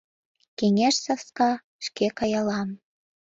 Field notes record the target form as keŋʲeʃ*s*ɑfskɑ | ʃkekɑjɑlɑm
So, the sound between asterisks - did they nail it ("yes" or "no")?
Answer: yes